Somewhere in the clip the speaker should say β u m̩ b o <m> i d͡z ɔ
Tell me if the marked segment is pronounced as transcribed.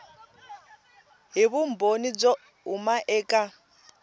no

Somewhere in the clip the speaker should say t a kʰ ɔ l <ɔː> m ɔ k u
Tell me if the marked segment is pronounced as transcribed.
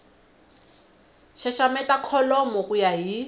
no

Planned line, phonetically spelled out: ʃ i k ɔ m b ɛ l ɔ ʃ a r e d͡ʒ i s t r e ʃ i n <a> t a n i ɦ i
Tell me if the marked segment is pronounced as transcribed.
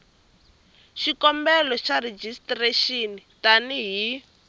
no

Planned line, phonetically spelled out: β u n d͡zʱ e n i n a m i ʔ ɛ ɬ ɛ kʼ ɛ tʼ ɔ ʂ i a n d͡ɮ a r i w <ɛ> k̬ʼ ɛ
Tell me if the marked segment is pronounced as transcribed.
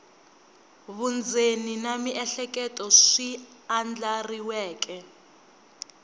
no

